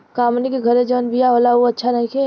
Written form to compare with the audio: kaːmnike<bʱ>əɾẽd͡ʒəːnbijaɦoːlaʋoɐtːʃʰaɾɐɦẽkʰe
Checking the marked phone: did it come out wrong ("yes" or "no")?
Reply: yes